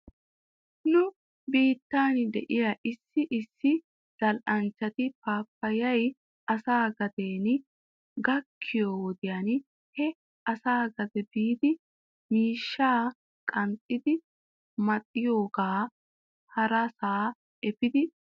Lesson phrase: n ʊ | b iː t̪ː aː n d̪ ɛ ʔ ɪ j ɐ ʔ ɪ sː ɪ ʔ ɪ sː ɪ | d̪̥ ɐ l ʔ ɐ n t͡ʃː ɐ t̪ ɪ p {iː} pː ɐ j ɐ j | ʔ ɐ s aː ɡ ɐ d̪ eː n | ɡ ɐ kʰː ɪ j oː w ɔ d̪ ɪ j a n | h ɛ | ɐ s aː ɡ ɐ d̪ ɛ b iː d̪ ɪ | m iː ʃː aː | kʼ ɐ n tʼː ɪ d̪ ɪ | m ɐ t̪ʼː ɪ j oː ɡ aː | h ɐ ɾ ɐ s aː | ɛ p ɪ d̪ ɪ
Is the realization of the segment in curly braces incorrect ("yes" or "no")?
yes